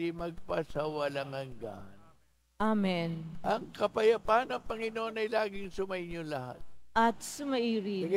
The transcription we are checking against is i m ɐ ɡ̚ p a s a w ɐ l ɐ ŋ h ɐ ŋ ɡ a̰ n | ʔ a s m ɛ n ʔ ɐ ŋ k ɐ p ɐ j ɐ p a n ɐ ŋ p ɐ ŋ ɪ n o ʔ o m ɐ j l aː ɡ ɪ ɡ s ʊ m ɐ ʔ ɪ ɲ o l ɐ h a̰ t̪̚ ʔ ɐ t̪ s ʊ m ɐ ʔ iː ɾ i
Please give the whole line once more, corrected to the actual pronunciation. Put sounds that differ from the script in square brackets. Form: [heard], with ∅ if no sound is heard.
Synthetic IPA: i m ɐ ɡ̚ p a s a w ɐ l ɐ ŋ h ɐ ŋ ɡ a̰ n | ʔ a [∅] m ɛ n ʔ ɐ ŋ k ɐ p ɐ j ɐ p a n ɐ ŋ p ɐ ŋ ɪ n o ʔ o [n] ɐ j l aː ɡ ɪ [ŋ] s ʊ m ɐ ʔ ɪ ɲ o l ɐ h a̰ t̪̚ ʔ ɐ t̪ s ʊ m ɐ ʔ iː ɾ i